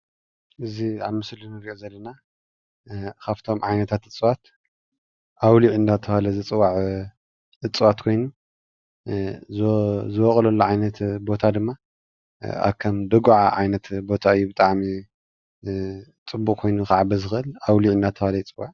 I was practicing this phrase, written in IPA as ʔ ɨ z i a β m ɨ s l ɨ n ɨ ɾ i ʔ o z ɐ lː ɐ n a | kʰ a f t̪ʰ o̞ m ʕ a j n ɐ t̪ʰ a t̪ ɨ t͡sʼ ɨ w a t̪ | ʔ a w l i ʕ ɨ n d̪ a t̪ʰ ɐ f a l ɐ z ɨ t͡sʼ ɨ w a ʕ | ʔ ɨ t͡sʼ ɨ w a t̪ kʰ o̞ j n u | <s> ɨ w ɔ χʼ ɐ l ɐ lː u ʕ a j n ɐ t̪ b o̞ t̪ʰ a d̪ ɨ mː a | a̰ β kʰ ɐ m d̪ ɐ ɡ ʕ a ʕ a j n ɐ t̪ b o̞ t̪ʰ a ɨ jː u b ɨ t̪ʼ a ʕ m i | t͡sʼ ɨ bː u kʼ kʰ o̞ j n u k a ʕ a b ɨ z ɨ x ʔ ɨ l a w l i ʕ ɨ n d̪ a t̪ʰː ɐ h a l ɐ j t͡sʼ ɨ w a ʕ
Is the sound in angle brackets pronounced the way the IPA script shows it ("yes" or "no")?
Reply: no